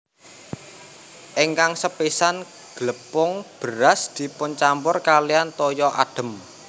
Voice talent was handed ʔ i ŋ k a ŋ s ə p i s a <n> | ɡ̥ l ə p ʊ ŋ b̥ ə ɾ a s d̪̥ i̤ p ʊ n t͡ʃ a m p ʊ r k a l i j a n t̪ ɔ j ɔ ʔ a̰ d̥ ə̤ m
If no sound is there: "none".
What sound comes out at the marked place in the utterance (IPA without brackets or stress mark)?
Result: n